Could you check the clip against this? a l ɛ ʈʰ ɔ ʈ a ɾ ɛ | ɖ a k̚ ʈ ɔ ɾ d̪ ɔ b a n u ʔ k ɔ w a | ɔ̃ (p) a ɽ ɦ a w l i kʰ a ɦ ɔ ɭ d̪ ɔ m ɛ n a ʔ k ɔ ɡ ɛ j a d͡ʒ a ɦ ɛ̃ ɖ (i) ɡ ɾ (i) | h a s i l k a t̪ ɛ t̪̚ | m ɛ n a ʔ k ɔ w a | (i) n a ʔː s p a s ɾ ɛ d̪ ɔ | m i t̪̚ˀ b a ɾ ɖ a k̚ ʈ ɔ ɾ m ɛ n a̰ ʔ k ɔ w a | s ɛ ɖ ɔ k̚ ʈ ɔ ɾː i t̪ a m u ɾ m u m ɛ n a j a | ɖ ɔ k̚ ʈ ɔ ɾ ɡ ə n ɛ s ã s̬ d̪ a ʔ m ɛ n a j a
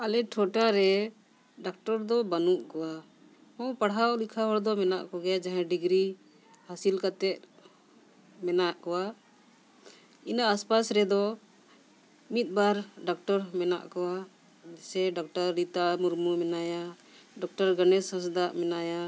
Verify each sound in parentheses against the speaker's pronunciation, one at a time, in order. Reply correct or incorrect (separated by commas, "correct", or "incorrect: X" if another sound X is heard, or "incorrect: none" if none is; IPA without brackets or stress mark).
correct, correct, correct, correct